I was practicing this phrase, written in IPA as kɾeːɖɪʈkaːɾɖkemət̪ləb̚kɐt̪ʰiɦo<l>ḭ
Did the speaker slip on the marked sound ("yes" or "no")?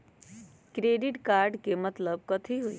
yes